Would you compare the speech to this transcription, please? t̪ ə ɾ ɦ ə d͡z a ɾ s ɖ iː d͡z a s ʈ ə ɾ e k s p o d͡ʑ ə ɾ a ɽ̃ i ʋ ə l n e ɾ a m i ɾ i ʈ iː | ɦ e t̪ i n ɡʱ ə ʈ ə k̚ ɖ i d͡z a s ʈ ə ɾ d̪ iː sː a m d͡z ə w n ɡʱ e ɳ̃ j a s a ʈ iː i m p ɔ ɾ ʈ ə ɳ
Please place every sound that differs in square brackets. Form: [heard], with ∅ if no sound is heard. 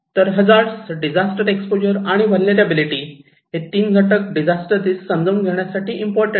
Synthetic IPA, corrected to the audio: t̪ ə ɾ ɦ ə d͡z a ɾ s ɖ [i] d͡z a s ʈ ə ɾ e k s p o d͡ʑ ə ɾ a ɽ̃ i ʋ ə l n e ɾ a [b] i [l] i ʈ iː | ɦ e t̪ [iː] n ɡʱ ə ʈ ə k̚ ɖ i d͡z a s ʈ ə ɾ d̪ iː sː [ə] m d͡z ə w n ɡʱ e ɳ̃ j a s a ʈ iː i m p ɔ ɾ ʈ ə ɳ